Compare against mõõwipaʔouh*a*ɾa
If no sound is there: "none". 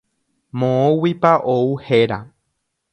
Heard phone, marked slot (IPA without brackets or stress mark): e